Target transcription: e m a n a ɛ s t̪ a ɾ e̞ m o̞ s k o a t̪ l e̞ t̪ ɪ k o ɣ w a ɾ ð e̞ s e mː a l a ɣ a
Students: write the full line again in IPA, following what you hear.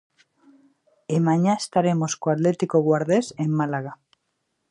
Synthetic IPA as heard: e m a ɲ a e s t̪ a ɾ e̞ m o̞ s k o a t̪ l e̞ t̪ i k o ɣ w a ɾ ð e̞ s e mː a l a ɣ a

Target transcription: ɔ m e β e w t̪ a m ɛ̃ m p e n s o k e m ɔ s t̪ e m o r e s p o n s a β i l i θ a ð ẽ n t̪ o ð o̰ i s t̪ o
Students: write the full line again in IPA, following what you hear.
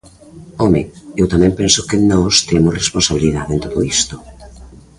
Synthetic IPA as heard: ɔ m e e w t̪ a m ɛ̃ m p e n s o k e n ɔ s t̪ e m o r e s p o n s a β i l i ð a ð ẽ n t̪ o ð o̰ i s t̪ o

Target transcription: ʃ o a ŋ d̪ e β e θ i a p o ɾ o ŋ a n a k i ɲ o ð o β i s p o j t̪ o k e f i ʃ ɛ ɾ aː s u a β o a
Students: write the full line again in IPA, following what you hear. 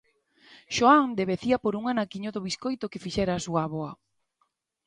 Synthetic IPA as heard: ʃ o a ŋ d̪ e β e θ i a p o ɾ u ŋ a n a k i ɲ o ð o β i s k o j t̪ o k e f i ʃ ɛ ɾ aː s u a β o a

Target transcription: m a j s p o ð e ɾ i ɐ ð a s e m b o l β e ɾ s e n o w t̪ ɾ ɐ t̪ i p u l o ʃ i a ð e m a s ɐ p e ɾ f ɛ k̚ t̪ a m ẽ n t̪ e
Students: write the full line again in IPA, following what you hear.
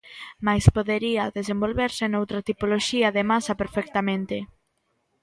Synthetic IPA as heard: m a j s p o ð e ɾ i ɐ ð e s e m b o l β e ɾ s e n o w t̪ ɾ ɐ t̪ i p o l o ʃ i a ð e m a s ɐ p e ɾ f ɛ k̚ t̪ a m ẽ n t̪ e

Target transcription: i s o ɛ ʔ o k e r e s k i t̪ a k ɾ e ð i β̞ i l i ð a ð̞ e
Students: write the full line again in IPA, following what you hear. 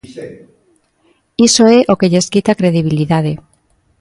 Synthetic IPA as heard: i s o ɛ ʔ o k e ʎ e s k i t̪ a k ɾ e ð i β̞ i l i ð a ð̞ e

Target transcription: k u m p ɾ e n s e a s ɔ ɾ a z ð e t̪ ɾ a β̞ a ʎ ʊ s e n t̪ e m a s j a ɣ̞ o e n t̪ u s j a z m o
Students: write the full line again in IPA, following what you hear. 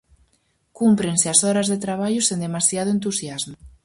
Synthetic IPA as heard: k u m p ɾ e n s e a s ɔ ɾ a z ð e t̪ ɾ a β̞ a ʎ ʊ s e n d̪ e m a s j a ð̞ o e n t̪ u s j a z m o

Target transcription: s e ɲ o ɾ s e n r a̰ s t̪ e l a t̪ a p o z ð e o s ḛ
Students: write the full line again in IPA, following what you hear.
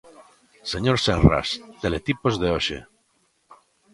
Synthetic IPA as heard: s e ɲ o ɾ s e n r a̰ s t̪ e l e t̪ i p o z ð e o ʃ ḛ

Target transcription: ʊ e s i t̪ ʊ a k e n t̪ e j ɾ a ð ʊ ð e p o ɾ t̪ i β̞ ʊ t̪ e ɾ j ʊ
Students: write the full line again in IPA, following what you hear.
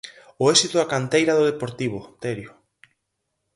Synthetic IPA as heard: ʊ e s i t̪ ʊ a k a n t̪ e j ɾ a ð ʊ ð e p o ɾ t̪ i β̞ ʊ t̪ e ɾ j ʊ

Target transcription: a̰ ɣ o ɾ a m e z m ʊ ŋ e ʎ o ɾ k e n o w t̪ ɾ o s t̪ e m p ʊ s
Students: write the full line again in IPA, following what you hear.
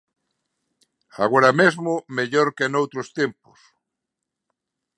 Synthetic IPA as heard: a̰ ɣ o ɾ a m e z m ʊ m e ʎ o ɾ k e n o w t̪ ɾ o s t̪ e m p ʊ s

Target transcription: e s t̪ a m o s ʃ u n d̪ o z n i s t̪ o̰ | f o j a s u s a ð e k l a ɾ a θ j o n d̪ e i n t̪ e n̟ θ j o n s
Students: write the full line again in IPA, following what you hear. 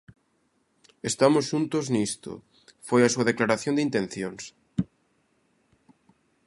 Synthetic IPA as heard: e s t̪ a m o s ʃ u n t̪ o z n i s t̪ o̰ | f o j a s u a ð e k l a ɾ a θ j o n d̪ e i n t̪ e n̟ θ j o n s

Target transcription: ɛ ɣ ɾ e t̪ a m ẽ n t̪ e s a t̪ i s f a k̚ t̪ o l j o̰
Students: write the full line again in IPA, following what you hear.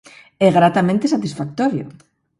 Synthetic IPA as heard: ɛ ɣ ɾ a t̪ a m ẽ n t̪ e s a t̪ i s f a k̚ t̪ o ɾ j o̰

